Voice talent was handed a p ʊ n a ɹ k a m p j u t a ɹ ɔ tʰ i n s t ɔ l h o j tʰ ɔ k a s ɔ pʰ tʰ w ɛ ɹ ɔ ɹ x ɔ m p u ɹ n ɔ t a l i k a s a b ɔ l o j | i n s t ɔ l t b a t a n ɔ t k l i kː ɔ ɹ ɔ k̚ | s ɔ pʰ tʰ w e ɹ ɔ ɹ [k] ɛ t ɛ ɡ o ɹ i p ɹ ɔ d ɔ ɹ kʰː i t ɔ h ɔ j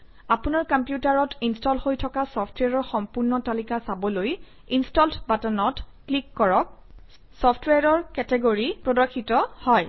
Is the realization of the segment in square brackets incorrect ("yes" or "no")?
no